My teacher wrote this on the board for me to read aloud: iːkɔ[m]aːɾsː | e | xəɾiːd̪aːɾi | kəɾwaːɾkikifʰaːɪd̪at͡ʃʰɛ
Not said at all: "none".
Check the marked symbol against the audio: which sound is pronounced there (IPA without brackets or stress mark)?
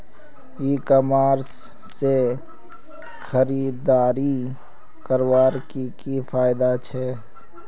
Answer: m